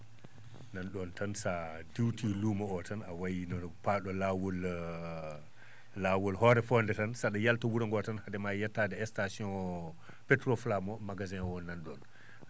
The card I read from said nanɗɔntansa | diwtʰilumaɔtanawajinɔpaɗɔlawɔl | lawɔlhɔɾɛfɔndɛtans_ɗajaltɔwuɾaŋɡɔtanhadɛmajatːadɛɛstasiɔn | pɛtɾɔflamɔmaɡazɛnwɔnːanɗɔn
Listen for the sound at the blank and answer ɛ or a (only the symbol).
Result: a